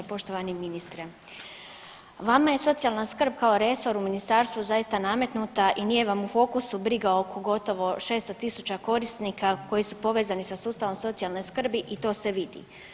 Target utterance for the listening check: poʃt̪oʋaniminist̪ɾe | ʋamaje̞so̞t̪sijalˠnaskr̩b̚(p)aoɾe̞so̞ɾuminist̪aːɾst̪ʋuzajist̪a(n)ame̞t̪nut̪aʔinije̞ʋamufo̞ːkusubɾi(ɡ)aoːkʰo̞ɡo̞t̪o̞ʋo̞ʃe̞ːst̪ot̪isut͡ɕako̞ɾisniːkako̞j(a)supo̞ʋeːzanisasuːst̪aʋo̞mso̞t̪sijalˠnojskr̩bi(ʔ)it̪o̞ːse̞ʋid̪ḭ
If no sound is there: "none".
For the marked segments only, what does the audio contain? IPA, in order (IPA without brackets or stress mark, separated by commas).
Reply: k, n, ɡ, i, ʔ